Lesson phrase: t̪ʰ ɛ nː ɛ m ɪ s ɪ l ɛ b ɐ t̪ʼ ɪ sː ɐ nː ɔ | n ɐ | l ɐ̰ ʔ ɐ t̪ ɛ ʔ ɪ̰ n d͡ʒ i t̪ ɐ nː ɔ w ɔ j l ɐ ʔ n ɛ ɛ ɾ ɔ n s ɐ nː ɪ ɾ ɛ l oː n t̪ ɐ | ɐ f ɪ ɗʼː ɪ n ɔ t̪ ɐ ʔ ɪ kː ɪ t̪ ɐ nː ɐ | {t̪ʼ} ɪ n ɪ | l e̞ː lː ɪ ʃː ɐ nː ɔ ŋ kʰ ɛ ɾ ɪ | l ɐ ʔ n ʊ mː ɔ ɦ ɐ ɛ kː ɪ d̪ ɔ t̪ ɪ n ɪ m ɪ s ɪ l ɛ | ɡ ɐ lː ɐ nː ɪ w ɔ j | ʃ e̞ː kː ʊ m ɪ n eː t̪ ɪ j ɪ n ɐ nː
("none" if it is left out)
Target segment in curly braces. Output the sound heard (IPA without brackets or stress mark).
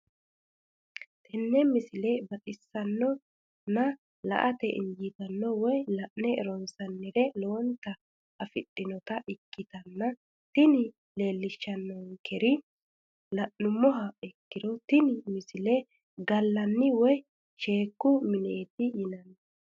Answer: t̪